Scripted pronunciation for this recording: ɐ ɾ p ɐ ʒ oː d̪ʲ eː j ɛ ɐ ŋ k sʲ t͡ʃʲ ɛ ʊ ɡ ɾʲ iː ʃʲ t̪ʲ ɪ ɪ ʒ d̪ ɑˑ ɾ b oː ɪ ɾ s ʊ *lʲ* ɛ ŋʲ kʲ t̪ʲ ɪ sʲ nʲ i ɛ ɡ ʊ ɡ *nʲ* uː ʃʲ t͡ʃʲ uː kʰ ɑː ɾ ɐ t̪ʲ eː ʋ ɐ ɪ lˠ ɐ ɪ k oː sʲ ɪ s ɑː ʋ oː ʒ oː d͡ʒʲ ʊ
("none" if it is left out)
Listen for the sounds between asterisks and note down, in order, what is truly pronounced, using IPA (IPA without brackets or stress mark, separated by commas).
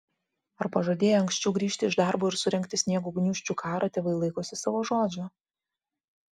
ɾʲ, nʲ